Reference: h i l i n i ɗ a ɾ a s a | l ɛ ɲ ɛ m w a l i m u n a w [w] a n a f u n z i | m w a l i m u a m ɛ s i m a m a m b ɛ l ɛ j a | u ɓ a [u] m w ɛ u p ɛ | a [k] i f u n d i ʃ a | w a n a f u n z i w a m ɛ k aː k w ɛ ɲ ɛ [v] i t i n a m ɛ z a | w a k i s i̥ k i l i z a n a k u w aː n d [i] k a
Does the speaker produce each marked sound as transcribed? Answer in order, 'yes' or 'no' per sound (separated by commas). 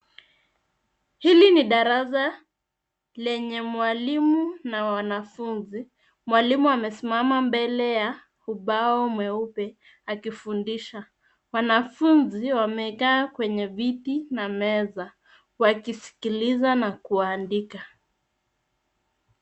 yes, no, yes, yes, yes